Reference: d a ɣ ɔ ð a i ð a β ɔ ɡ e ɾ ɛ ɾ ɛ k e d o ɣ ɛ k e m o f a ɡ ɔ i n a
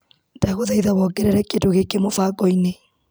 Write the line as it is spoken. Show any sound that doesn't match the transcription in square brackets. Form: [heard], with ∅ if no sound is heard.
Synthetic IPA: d a ɣ [o] ð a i ð a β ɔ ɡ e ɾ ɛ ɾ ɛ k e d o ɣ [e] k e m o f a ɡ ɔ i n [e]

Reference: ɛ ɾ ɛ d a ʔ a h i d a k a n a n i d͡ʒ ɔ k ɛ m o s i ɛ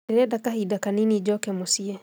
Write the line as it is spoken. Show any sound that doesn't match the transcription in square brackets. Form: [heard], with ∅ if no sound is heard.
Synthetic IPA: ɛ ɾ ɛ d a [k] a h i d a k a n [i] n i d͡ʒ ɔ k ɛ m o s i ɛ

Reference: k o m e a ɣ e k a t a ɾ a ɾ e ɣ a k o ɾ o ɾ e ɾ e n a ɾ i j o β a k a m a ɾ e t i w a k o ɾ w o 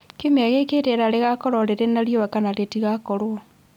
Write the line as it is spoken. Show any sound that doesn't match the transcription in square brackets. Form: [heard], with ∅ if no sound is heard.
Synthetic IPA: k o m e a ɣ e k [e] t [e] ɾ a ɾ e ɣ a k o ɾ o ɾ e ɾ e n a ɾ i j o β a k a [n] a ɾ e t i [ɣ] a k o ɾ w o

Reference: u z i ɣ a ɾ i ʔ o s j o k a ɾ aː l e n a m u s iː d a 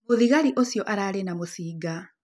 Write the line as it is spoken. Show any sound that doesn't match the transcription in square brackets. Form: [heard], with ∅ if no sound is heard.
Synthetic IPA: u [ð] i ɣ a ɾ i ʔ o s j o [ʔ] a ɾ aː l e n a m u s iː [ɡ] a

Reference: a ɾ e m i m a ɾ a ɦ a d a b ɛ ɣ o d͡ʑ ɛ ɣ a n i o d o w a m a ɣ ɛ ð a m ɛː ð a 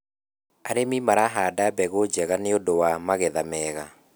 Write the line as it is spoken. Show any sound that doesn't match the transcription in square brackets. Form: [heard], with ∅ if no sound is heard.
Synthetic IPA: a ɾ e m i m a ɾ a ɦ a d a b ɛ ɣ o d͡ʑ ɛ ɣ a n [e] o d o w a m a ɣ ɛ ð a m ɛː [ɣ] a

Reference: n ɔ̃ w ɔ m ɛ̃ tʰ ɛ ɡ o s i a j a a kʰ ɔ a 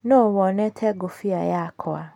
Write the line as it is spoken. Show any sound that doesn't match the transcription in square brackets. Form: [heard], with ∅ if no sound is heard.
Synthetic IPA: n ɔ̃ w ɔ [n] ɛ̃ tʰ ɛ ɡ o [f] i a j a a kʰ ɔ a

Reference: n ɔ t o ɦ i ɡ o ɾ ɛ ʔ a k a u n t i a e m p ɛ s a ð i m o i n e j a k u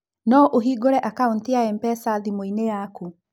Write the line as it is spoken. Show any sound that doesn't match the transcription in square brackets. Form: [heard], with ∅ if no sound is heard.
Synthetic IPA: n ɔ [ʔ] o ɦ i ɡ o ɾ ɛ ʔ a k a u n t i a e m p ɛ s a ð i m o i n e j a k u

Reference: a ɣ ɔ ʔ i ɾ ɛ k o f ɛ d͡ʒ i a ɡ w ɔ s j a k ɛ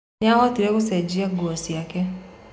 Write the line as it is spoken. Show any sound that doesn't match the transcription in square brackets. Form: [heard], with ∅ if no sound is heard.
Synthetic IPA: a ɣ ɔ [t] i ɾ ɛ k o [s] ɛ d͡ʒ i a ɡ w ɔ s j a k ɛ

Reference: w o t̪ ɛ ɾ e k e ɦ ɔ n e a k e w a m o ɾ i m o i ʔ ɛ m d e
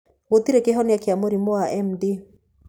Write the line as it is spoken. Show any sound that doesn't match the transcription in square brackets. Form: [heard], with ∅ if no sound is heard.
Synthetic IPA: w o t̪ [i] ɾ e k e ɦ ɔ n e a k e [∅] a m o ɾ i m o [a] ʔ ɛ m d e

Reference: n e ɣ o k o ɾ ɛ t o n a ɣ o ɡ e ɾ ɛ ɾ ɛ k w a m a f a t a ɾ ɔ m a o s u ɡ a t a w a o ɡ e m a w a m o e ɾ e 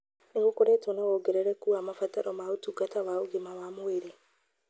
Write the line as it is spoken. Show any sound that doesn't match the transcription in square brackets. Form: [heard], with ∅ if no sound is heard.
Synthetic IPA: n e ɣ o k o ɾ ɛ t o n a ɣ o ɡ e ɾ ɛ ɾ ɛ k [u] a m a f a t a ɾ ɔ m a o [t] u ɡ a t a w a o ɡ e m a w a m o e ɾ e

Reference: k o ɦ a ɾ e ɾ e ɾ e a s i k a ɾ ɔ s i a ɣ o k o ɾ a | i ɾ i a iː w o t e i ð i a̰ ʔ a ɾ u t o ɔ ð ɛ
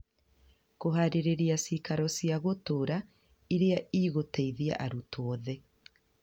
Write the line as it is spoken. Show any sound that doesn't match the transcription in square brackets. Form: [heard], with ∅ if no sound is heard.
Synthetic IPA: k o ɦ a ɾ e ɾ e ɾ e a s i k a ɾ ɔ s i a ɣ o [t] o ɾ a | i ɾ [e] a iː [ɣ] o t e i ð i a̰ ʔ a ɾ u t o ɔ ð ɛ

